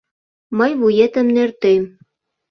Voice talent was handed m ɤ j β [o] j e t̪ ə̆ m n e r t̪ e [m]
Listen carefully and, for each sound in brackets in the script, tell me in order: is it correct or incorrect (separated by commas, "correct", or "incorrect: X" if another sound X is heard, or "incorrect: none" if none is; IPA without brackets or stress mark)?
incorrect: u, correct